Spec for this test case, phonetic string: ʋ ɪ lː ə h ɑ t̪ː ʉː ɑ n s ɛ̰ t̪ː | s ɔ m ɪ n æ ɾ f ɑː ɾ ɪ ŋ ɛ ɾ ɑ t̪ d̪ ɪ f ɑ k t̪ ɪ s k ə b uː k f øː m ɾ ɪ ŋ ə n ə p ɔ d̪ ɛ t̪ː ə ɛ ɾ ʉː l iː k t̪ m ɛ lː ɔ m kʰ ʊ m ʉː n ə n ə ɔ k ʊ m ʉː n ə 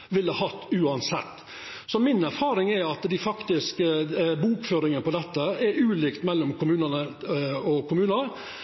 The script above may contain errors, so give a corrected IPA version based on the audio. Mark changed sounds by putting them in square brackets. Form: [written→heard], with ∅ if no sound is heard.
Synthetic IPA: ʋ ɪ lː ə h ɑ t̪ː ʉː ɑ n s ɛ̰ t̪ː | s ɔ m ɪ n æ ɾ f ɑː ɾ ɪ ŋ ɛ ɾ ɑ t̪ d̪ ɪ f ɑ k t̪ ɪ s k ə b uː k f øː [m→∅] ɾ ɪ ŋ ə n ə p ɔ d̪ ɛ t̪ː ə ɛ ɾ ʉː l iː k t̪ m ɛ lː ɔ m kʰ ʊ m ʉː n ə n ə ɔ k ʊ m ʉː n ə